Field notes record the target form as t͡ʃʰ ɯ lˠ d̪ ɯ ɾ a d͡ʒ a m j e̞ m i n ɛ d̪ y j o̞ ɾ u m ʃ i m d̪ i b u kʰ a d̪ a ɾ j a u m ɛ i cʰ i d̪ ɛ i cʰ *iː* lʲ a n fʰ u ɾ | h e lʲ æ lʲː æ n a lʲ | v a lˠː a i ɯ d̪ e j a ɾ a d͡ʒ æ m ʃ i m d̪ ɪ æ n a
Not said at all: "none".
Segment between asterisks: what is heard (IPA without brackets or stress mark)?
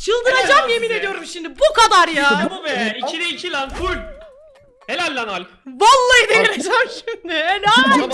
i